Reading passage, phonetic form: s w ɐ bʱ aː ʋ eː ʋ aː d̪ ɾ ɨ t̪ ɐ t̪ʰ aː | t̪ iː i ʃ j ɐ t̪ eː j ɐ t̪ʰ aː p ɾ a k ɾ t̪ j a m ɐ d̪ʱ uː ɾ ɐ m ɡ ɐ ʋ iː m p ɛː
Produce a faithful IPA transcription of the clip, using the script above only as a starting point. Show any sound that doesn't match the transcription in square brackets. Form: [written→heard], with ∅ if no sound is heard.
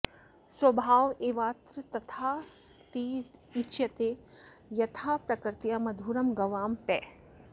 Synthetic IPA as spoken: s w ɐ bʱ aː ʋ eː ʋ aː [d̪→t̪] ɾ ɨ t̪ ɐ t̪ʰ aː | t̪ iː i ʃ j ɐ t̪ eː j ɐ t̪ʰ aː p ɾ [a→ɐ] k ɾ t̪ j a m ɐ d̪ʱ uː ɾ ɐ m ɡ ɐ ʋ [iː→aː] m p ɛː